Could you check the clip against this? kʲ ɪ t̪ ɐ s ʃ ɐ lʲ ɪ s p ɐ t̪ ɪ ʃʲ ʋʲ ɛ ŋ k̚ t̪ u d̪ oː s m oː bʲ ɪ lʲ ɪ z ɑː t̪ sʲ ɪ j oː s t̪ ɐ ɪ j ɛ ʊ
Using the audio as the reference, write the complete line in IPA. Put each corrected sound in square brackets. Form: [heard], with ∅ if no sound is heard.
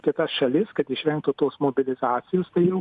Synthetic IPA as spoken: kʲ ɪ t̪ ɐ s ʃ ɐ lʲ ɪ s [k] ɐ t̪ ɪ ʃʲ ʋʲ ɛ ŋ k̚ t̪ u [t̪] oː s m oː bʲ ɪ lʲ ɪ z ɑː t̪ sʲ ɪ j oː s t̪ ɐ ɪ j ɛ ʊ